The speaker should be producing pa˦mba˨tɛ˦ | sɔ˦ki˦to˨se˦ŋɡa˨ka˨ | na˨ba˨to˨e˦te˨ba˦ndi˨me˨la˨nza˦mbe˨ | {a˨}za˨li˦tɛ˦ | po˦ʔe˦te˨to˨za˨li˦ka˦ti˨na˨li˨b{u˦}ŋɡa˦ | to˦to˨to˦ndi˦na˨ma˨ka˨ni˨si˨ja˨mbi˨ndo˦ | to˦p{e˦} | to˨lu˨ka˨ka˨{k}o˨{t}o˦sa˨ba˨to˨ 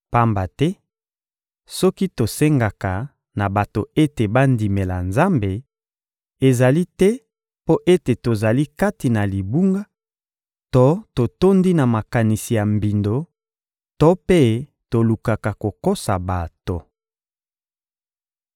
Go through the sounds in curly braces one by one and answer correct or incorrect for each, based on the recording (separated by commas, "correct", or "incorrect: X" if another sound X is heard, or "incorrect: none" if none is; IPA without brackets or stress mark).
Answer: incorrect: e˨, correct, correct, correct, incorrect: k